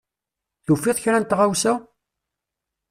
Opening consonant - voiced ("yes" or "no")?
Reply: no